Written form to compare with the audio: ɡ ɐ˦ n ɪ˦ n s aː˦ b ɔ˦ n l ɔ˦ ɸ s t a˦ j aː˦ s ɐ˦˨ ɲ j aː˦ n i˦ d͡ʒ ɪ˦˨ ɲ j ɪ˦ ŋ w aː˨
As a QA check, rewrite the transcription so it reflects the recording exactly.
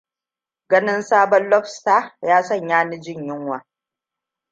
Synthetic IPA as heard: ɡ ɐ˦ n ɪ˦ n s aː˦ b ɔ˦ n l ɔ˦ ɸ s t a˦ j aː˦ s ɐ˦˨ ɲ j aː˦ n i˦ d͡ʒ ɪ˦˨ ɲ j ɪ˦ ŋ w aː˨